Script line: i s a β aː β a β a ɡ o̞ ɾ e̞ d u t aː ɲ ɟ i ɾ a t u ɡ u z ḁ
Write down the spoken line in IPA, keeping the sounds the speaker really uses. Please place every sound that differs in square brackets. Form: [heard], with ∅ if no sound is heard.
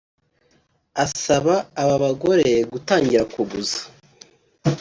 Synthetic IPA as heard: [a] s a β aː β a β a ɡ o̞ ɾ e̞ [ɡ] u t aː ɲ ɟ i ɾ a [k] u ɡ u z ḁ

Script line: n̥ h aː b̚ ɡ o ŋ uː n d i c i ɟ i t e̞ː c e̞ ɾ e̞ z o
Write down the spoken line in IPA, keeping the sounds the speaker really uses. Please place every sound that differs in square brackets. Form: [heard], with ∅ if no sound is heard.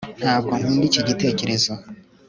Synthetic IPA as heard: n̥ h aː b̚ ɡ o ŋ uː n d i c i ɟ i t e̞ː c e̞ ɾ e̞ z o

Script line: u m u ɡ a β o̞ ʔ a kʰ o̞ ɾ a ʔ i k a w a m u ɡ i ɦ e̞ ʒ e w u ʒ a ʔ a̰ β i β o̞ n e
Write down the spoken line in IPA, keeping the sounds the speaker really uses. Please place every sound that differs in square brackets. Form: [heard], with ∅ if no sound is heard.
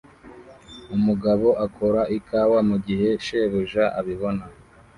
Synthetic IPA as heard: u m u ɡ a β o̞ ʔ a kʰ o̞ ɾ a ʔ i k a w a m u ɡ i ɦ e̞ [ʃ] e [β] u ʒ a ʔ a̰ β i β o̞ n [a]

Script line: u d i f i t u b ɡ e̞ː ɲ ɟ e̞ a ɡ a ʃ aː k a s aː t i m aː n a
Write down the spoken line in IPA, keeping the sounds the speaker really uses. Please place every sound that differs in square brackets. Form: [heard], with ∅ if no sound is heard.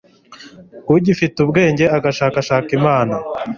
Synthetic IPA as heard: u [ɟ] i f i t u b ɡ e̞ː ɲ ɟ e̞ a ɡ a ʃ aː k a [ʃ] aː [k] i m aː n a

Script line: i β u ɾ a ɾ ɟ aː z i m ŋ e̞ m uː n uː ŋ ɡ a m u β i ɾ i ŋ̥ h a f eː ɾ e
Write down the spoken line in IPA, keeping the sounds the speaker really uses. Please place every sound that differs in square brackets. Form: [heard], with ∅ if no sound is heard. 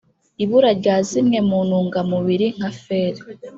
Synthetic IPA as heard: i β u ɾ a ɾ ɟ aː z i m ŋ e̞ m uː n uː ŋ ɡ a m u β i ɾ i ŋ̥ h a f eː ɾ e

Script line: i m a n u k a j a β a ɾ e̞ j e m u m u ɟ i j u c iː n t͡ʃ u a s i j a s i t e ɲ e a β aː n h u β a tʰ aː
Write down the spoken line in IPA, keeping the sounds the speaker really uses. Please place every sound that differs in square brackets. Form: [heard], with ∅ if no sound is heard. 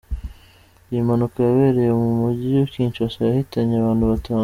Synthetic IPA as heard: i m a n u k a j a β [e] ɾ e̞ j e m u m u ɟ i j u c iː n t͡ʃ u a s [a] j a [h] i t [a] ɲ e a β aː n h u β a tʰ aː

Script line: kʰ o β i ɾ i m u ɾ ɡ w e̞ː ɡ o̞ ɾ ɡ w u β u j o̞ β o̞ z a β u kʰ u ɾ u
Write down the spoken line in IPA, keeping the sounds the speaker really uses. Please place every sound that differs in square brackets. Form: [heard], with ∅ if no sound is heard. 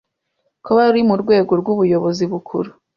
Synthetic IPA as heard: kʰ o β [a] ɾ i m u ɾ ɡ w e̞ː ɡ o̞ ɾ ɡ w u β u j o̞ β o̞ z [i] β u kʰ u ɾ u

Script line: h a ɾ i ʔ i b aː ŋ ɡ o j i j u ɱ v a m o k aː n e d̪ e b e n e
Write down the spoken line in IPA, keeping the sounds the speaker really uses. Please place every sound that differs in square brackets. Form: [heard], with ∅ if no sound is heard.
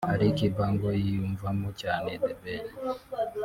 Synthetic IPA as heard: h a ɾ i [k] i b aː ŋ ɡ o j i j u ɱ v a m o [c] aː n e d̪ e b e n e

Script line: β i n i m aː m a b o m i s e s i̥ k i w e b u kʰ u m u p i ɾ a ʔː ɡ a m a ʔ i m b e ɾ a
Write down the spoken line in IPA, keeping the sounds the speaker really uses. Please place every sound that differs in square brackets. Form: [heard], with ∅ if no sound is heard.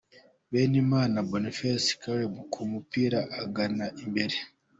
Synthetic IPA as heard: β [e] n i m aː [n] a b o [n] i [f] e s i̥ k [a] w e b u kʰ u m u p i ɾ a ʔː ɡ a [n] a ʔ i m b e ɾ [e]

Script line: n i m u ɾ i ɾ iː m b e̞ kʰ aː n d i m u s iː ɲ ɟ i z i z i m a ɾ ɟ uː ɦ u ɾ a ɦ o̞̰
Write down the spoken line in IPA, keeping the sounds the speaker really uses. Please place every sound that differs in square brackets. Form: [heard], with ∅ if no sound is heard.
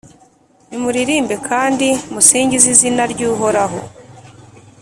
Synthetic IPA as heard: n i m u ɾ i ɾ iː m b e̞ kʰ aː n d i m u s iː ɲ ɟ i z i z i [n] a ɾ ɟ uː ɦ [o] ɾ a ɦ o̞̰

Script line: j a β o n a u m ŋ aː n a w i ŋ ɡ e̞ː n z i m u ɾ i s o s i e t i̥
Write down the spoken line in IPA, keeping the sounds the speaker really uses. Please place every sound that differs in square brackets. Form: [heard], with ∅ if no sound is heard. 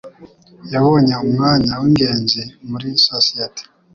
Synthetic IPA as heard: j a β o [ɲ] a u m ŋ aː [ɲ] a w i ŋ ɡ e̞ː n z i m u ɾ i s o s i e t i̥

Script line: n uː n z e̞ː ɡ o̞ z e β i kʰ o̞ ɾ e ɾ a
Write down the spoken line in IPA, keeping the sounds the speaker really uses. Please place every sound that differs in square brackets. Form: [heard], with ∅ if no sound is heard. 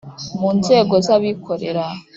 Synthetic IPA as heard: [m] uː n z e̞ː ɡ o̞ z [a] β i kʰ o̞ ɾ e ɾ a

